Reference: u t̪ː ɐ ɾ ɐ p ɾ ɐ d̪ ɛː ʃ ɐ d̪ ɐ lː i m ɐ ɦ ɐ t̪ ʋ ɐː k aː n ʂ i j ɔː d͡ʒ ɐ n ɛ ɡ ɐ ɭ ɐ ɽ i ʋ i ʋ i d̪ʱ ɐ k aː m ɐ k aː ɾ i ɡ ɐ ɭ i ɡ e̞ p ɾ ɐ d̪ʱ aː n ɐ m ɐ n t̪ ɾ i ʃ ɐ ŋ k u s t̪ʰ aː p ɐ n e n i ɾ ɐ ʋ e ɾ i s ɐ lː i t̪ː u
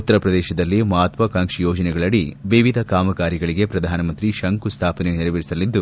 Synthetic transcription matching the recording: u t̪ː ɐ ɾ ɐ p ɾ ɐ d̪ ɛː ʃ ɐ d̪ ɐ lː i m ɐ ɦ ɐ t̪ ʋ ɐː k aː ŋ ʂ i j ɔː d͡ʒ ɐ n ɛ ɡ ɐ ɭ ɐ ɽ i ʋ i ʋ i d̪ʱ ɐ k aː m ɐ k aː ɾ i ɡ ɐ ɭ i ɡ e̞ p ɾ ɐ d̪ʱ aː n ɐ m ɐ n t̪ ɾ i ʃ ɐ ŋ k u s t̪ʰ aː p ɐ n e n i ɾ ɐ ʋ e ɾ i s ɐ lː i d̪ː u